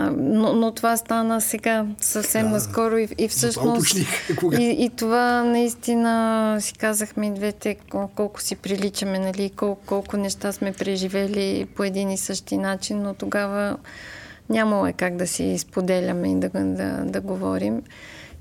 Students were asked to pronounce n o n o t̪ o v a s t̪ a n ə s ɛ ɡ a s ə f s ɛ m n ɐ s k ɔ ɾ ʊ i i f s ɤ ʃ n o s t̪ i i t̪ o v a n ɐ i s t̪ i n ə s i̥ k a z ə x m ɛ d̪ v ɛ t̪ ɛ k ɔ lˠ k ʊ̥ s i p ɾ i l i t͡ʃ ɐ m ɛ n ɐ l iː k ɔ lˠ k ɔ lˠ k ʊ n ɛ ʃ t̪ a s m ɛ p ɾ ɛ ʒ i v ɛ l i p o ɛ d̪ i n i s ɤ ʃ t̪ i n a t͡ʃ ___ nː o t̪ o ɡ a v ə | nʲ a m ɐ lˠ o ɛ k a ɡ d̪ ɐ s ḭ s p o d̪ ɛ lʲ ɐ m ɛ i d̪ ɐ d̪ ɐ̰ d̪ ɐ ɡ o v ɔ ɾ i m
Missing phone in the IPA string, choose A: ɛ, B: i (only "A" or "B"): B